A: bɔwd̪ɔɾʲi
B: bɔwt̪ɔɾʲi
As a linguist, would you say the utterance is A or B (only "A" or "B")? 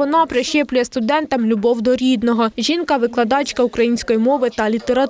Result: A